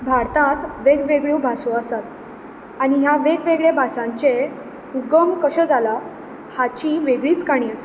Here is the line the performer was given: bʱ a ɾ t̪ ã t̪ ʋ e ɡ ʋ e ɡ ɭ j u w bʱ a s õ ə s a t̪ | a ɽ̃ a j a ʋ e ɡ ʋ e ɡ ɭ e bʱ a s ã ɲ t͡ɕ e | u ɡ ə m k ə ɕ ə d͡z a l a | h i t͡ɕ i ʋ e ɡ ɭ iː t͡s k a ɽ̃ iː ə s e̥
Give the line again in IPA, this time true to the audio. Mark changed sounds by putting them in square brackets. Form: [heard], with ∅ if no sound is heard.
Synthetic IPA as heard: bʱ a ɾ t̪ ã t̪ ʋ e ɡ ʋ e ɡ ɭ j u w bʱ a s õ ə s a t̪ | a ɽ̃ [i] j a ʋ e ɡ ʋ e ɡ ɭ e bʱ a s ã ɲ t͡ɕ e | u ɡ ə m k ə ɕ ə d͡z a l a | h [a] t͡ɕ i ʋ e ɡ ɭ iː t͡s k a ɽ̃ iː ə s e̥